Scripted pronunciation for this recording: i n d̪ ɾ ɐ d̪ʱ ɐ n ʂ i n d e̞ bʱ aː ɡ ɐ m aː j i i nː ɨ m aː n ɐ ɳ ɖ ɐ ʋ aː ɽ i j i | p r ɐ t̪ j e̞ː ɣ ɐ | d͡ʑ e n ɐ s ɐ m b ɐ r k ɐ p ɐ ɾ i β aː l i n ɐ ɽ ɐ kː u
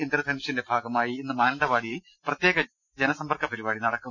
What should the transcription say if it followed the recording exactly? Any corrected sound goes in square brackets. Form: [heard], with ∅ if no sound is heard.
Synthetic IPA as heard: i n d̪ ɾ ɐ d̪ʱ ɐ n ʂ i n d e̞ bʱ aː ɡ ɐ m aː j i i nː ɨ m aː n ɐ ɳ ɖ ɐ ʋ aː ɽ i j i | p r ɐ t̪ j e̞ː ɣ ɐ | d͡ʑ e n ɐ s ɐ m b ɐ r k ɐ p ɐ ɾ i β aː [ɽ] i n ɐ ɽ ɐ kː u